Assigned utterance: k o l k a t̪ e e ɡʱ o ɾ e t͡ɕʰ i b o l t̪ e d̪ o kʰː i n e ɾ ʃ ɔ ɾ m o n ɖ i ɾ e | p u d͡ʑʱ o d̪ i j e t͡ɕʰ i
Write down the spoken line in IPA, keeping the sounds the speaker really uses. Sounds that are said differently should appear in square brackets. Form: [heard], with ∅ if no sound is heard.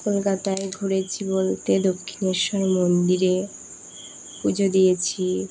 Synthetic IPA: k o l k a t̪ [a] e ɡʱ o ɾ e t͡ɕʰ i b o l t̪ e d̪ o kʰː i n e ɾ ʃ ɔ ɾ m o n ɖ i ɾ e | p u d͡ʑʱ o d̪ i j e t͡ɕʰ i